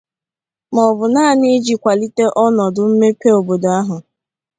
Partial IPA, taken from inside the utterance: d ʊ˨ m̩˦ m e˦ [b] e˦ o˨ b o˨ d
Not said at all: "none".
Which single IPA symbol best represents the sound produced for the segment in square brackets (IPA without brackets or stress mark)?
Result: p